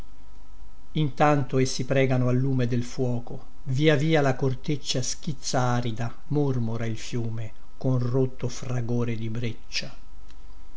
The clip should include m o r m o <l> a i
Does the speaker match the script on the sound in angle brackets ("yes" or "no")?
no